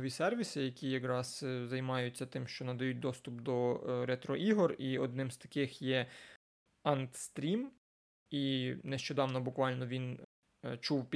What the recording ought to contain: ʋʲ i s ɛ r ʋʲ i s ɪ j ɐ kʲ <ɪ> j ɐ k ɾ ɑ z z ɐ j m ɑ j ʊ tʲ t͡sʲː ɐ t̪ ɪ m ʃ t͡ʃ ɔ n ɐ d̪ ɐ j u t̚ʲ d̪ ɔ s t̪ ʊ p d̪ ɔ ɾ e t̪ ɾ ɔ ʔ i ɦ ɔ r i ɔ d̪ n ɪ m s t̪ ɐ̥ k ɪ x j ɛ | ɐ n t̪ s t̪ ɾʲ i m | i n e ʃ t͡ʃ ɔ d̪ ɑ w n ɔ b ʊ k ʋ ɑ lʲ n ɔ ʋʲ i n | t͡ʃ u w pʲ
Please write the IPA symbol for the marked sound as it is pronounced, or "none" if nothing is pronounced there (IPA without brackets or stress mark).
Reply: i